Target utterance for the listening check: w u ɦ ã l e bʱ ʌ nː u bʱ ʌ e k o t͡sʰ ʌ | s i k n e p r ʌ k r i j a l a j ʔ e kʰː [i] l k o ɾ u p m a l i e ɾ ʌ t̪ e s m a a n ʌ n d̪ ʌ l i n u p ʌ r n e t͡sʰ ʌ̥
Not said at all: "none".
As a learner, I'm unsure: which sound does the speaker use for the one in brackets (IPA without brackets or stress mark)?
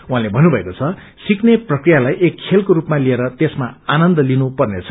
e